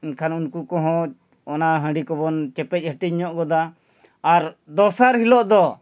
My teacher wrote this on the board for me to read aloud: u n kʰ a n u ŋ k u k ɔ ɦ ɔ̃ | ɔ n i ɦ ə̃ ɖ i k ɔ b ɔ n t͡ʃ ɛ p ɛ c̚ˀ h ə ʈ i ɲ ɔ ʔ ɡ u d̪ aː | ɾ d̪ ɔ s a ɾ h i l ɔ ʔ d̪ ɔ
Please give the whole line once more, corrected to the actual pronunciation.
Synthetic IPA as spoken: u n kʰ a n u n k u k ɔ ɦ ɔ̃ | ɔ n a ɦ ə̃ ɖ i k ɔ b ɔ n t͡ʃ ɛ p ɛ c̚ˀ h ə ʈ i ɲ ɔ ʔ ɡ ɔ d̪ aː | ɾ d̪ ɔ s a ɾ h i l ɔ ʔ d̪ ɔ